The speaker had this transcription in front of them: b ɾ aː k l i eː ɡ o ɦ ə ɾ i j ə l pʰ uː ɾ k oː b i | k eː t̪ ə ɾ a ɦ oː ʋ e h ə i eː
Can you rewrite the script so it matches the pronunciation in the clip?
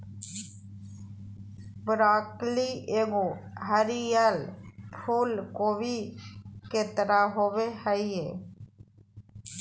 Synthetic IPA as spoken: b ɾ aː k l i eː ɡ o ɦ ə ɾ i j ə l pʰ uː l k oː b i | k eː t̪ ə ɾ a ɦ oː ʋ e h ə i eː